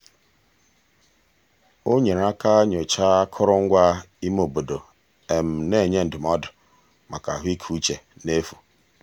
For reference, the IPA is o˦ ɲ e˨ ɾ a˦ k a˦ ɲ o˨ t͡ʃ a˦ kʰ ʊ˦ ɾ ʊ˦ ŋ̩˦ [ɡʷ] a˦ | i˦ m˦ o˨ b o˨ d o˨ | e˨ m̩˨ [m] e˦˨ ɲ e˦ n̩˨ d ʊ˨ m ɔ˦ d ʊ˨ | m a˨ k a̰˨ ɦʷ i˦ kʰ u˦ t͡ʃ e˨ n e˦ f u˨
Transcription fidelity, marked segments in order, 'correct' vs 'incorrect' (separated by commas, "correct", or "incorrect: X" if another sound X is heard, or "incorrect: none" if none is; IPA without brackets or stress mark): correct, incorrect: n